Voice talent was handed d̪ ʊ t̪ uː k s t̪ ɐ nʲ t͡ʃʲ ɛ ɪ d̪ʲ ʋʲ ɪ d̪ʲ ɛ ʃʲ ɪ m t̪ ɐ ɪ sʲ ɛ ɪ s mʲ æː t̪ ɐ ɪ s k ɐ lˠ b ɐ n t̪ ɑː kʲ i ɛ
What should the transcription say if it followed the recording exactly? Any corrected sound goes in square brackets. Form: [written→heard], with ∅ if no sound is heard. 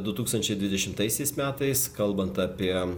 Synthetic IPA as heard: d̪ ʊ t̪ uː k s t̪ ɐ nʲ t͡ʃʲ ɛ ɪ d̪ʲ ʋʲ ɪ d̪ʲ ɛ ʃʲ ɪ m t̪ ɐ ɪ sʲ ɛ ɪ s mʲ æː t̪ ɐ ɪ s k ɐ lˠ b ɐ n t̪ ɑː [kʲ→pʲ] i ɛ